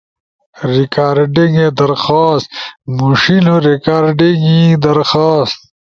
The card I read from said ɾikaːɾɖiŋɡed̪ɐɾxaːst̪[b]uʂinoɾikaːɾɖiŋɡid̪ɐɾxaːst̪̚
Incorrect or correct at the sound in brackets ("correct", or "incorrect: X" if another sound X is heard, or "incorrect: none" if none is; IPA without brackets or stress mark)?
incorrect: m